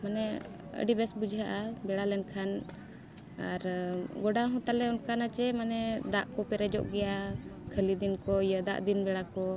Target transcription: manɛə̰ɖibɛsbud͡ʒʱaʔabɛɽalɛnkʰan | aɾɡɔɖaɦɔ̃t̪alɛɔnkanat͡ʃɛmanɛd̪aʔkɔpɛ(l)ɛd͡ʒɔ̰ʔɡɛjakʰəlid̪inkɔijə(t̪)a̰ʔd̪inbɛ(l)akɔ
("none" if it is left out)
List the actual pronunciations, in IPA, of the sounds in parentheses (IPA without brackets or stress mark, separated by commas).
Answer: ɾ, d̪, ɽ